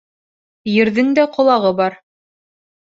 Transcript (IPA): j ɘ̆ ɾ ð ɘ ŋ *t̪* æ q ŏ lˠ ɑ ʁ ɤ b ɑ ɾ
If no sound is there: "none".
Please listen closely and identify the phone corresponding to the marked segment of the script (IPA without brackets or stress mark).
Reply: d̪